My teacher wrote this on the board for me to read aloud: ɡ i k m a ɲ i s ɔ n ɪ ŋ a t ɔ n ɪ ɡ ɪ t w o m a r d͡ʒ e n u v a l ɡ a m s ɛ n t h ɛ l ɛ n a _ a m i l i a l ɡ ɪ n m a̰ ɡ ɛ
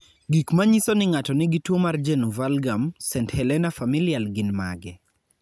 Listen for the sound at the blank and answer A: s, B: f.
B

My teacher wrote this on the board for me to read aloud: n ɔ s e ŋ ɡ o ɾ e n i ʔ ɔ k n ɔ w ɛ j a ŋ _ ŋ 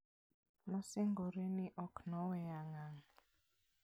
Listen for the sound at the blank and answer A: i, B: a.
B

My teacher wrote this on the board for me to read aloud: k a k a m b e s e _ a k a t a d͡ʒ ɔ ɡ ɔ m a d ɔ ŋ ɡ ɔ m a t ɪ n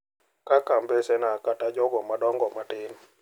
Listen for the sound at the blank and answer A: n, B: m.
A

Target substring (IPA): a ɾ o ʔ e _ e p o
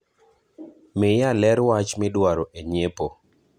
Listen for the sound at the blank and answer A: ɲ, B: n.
A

